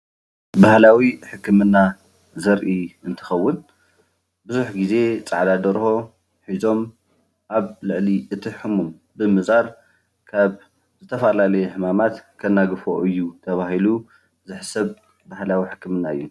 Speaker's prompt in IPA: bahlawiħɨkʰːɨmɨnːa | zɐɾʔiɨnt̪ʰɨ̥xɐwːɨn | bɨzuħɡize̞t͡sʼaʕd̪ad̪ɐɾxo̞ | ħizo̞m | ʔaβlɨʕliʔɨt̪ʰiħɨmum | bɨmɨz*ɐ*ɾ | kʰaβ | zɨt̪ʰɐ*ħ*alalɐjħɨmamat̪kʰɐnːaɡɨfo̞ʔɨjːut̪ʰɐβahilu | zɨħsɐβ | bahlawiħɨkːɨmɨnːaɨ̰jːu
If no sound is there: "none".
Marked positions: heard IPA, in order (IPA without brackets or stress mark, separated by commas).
a, f